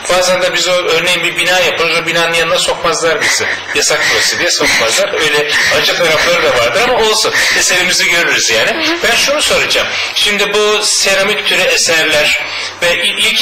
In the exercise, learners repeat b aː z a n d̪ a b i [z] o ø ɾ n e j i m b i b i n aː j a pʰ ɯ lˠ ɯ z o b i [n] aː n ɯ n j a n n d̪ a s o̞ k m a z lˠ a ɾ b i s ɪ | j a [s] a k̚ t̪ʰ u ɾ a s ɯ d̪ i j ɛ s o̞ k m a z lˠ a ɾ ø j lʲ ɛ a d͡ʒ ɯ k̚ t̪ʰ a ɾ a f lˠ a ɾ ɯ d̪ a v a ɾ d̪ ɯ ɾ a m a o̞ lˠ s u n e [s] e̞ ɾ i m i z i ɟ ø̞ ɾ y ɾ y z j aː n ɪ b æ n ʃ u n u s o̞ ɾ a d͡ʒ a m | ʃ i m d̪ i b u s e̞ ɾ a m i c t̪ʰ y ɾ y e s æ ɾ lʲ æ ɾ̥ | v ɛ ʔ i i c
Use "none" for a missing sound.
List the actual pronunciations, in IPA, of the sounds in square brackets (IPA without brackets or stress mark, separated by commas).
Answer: z, n, s, s